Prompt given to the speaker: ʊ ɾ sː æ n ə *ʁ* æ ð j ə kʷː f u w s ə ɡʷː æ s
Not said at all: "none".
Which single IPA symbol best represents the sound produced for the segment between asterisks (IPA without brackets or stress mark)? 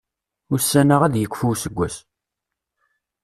ʁ